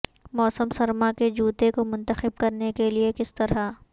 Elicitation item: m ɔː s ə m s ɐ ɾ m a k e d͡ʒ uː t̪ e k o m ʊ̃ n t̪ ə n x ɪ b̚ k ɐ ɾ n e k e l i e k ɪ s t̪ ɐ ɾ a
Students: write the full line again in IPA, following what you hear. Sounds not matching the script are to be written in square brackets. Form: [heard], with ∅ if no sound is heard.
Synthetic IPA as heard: m ɔː s ə m s ɐ ɾ m a k e d͡ʒ uː t̪ e k o m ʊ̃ n t̪ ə [∅] x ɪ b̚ k ɐ ɾ n e k e l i e k ɪ s t̪ ɐ ɾ a